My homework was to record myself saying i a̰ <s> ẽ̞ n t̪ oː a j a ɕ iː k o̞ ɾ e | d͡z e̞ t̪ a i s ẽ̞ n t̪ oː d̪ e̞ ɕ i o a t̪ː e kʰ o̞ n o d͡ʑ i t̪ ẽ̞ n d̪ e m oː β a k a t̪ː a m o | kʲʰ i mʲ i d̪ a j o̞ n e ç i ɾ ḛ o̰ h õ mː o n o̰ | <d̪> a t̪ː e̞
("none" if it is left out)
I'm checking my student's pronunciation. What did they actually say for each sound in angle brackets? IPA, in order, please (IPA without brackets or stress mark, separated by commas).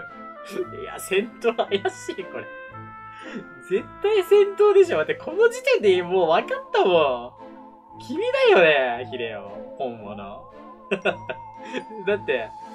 s, d̪